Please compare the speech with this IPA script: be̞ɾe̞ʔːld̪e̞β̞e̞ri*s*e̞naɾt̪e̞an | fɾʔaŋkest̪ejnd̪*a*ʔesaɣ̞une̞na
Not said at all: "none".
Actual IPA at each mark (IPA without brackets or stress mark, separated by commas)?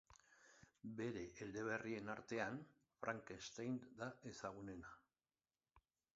none, a